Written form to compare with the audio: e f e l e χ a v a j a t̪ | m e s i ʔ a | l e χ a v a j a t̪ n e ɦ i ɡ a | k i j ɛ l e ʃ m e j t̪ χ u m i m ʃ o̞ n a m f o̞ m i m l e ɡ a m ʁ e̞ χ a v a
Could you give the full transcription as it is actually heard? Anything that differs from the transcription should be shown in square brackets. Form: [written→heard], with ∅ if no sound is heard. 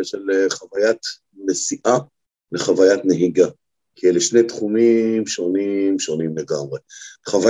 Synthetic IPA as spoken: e [f→ʃ] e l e χ a v a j a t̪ | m e s i ʔ a | l e χ a v a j a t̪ n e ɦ i ɡ a | k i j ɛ l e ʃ [m→n] e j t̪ χ u m i m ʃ o̞ n [a→i] m [f→ʃ] o̞ [m→n] i m l e ɡ a m ʁ e̞ χ a v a